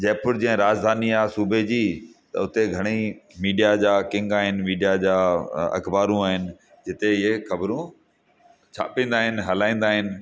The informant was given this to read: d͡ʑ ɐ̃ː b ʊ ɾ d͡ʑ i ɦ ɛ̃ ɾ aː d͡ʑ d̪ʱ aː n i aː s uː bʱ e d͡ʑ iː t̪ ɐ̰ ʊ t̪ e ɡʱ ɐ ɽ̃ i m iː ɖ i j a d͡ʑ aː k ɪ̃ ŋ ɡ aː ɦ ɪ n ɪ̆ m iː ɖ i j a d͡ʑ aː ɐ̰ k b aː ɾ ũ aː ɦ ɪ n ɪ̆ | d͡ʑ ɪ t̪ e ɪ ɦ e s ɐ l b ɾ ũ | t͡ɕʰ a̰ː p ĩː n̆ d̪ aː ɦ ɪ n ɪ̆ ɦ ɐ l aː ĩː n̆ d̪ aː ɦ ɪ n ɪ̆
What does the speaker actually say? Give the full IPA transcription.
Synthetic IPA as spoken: d͡ʑ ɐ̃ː p ʊ ɾ d͡ʑ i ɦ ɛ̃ ɾ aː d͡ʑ d̪ʱ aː n i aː s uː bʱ e d͡ʑ iː t̪ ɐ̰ ʊ t̪ e ɡʱ ɐ ɽ̃ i m iː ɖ i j a d͡ʑ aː k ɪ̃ ŋ ɡ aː ɦ ɪ n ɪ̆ m iː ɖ i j a d͡ʑ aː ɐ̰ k b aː ɾ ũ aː ɦ ɪ n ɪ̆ | d͡ʑ ɪ t̪ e ɪ ɦ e x ɐ b ɾ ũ | t͡ɕʰ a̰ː p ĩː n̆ d̪ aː ɦ ɪ n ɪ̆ ɦ ɐ l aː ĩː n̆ d̪ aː ɦ ɪ n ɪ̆